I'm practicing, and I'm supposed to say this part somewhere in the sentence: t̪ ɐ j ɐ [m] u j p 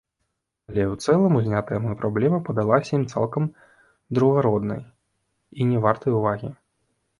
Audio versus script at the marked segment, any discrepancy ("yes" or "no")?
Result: no